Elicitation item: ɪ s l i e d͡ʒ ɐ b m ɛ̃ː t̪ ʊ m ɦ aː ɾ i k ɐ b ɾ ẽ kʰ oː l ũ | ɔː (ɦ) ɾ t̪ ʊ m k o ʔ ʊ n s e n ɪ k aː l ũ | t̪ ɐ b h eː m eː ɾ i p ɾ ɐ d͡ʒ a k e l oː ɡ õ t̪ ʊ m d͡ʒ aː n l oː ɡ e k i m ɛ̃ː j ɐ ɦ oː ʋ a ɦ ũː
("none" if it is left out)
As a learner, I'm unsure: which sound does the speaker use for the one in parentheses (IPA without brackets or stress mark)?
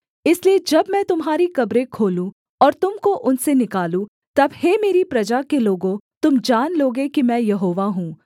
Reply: none